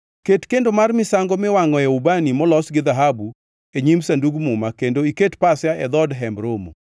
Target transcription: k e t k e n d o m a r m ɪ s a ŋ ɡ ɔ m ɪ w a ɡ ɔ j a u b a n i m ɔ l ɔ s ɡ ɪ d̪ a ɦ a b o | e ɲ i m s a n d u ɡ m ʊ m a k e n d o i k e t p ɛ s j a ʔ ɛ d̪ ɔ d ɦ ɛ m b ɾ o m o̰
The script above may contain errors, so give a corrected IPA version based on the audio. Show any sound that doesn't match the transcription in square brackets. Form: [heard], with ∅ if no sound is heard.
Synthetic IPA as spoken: k e t k e n d o m a r m ɪ s a ŋ ɡ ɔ m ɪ w a [ŋ] ɔ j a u b a n i m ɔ l ɔ s ɡ ɪ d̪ a ɦ a b [u] | e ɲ i m s a n d u ɡ m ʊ m a k e n d o i k e t p [a] s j a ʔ ɛ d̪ ɔ d ɦ ɛ m b ɾ o m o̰